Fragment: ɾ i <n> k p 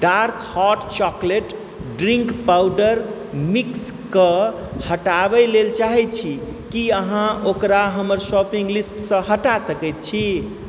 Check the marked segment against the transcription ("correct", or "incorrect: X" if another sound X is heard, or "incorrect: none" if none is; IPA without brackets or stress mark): incorrect: ŋ